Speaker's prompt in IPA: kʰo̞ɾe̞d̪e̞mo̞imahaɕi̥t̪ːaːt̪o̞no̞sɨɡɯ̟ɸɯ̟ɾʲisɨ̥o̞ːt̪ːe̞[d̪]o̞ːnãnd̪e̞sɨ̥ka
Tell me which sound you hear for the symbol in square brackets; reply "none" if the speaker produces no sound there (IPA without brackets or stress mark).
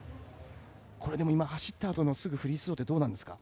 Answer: d̪